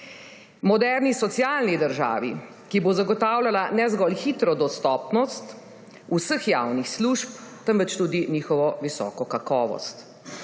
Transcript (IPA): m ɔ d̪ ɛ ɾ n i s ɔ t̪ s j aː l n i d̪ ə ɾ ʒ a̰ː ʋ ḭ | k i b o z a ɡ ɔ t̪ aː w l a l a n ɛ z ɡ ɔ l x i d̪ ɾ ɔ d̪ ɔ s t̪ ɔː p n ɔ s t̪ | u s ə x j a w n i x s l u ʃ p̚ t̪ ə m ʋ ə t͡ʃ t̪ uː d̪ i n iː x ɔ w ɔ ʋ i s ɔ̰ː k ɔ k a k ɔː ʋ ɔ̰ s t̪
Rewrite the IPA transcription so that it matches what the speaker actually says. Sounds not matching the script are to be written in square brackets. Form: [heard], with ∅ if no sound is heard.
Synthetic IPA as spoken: m ɔ d̪ ɛ ɾ n i s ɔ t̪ s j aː l n i d̪ ə ɾ ʒ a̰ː ʋ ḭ | k i b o z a ɡ ɔ t̪ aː w l a l a n ɛ z ɡ ɔ l x i [t̪] ɾ ɔ d̪ ɔ s t̪ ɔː p n ɔ s t̪ | u s ə x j a w n i x s l u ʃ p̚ t̪ ə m ʋ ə t͡ʃ t̪ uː d̪ i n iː x ɔ [ʋ] ɔ ʋ i s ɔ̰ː k ɔ k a k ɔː ʋ ɔ̰ s t̪